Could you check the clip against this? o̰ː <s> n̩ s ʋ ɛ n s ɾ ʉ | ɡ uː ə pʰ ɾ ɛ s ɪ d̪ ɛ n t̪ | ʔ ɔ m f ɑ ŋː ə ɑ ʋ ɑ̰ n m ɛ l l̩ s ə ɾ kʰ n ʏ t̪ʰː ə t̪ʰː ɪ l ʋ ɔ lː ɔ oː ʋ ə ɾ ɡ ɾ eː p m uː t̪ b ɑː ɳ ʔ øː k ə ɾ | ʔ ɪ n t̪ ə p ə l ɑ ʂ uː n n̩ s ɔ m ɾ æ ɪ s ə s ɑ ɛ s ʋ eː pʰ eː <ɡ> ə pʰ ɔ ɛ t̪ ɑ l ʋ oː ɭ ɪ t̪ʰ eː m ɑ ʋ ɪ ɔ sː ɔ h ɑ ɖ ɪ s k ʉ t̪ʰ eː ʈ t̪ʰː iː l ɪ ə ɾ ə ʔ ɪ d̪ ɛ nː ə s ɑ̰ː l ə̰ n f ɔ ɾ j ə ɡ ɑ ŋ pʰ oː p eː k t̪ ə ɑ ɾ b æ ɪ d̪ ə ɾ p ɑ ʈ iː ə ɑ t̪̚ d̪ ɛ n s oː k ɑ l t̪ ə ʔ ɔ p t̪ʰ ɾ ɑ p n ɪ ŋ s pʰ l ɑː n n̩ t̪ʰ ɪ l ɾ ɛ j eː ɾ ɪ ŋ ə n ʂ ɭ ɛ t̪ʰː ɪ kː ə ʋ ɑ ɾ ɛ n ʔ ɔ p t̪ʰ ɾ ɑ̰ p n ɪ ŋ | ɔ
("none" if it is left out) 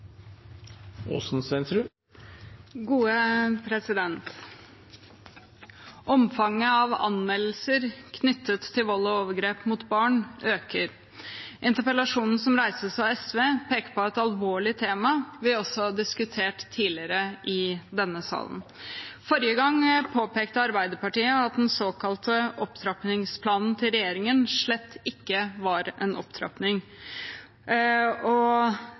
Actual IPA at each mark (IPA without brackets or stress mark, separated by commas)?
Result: s, k